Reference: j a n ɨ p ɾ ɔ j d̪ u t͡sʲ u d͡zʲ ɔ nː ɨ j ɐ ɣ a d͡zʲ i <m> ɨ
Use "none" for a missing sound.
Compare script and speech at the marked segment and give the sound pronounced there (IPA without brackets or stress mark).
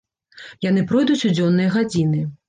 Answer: n